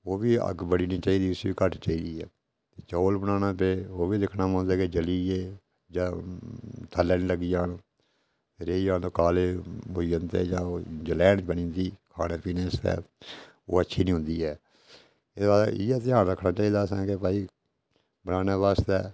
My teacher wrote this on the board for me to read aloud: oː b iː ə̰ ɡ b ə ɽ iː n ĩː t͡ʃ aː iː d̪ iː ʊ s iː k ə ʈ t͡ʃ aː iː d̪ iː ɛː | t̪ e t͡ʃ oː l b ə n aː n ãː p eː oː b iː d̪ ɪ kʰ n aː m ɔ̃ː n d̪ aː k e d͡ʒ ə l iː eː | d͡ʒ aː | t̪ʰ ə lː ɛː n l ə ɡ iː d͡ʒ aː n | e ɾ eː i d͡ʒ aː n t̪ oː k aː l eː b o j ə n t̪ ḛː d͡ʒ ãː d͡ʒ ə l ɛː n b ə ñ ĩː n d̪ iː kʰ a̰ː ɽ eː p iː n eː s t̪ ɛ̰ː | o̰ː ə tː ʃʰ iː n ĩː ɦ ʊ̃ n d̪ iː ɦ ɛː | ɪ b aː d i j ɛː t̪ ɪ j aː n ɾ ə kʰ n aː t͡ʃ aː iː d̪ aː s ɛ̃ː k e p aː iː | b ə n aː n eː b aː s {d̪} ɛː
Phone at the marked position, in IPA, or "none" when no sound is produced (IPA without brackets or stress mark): t̪